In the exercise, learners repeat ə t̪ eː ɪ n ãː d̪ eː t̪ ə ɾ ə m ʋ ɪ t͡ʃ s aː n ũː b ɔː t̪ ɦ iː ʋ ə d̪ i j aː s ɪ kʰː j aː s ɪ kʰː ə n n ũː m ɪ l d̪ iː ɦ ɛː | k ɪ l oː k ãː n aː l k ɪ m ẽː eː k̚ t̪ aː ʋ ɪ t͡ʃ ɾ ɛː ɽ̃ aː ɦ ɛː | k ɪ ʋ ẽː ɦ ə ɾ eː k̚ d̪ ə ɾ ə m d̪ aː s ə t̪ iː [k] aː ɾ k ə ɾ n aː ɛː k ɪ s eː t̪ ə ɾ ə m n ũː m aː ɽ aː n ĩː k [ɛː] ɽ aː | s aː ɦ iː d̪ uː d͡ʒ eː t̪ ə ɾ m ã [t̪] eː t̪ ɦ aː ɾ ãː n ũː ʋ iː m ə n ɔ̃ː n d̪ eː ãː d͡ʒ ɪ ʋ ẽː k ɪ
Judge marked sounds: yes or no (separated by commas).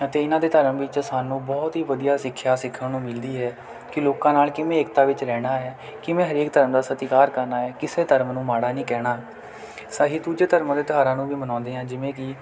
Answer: yes, yes, no